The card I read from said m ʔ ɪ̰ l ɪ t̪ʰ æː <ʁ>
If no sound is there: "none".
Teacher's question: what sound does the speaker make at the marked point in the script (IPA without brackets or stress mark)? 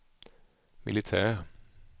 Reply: ʁ